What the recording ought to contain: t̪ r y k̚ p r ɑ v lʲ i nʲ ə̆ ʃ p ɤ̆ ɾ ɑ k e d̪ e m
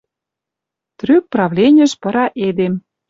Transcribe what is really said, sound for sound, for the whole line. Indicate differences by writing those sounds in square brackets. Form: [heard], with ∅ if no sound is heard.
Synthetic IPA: t̪ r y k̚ p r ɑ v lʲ [e] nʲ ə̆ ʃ p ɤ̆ ɾ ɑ [ʔ] e d̪ e m